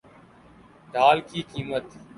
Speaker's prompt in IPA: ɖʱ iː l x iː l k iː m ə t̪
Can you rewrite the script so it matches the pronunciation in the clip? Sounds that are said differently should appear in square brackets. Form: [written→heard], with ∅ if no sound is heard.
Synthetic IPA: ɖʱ [iː→aː] l [x→k] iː [l→∅] k iː m ə t̪